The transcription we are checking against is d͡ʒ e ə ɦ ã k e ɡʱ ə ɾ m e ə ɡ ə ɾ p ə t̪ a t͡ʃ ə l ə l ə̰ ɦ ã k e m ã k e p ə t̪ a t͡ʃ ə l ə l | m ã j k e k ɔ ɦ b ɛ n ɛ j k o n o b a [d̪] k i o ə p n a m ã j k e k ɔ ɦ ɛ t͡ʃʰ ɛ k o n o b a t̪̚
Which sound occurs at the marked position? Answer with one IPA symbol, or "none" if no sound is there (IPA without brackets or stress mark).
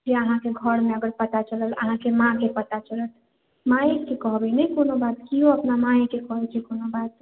t̪